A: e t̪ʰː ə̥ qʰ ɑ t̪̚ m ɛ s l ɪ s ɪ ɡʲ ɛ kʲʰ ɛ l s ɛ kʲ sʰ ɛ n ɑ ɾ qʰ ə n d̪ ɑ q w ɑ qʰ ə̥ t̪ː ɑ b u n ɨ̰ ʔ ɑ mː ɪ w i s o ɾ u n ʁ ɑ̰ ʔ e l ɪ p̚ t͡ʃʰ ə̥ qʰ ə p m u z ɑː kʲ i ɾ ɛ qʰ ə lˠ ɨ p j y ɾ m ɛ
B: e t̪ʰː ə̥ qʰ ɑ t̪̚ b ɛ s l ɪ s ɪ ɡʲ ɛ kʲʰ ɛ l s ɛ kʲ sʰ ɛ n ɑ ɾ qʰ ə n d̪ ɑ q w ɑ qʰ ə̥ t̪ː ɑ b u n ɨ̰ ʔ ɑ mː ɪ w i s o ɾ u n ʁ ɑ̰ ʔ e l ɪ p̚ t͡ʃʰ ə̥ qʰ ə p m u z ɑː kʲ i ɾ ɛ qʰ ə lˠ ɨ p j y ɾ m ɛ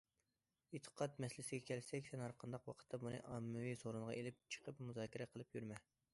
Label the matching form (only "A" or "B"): A